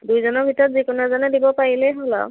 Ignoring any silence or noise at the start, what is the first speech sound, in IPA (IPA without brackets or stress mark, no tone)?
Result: d